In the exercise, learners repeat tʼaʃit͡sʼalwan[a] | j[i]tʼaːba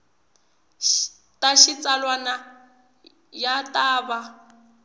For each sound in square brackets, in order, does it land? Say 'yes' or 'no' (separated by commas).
yes, no